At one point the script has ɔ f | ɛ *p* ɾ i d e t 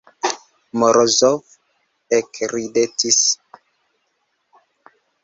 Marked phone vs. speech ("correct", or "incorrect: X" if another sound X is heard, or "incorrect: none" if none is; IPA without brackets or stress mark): incorrect: k